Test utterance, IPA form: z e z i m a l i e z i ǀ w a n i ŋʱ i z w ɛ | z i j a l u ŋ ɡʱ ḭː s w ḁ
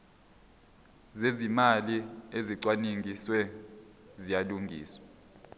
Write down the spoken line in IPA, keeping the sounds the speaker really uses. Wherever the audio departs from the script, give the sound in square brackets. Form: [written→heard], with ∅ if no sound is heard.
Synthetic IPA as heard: z e z i m a l i e z i ǀ w a n i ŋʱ i [z→s] w ɛ | z i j a l u ŋ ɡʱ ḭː s w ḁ